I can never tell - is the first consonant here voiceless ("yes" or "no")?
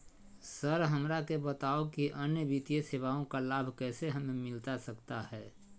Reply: yes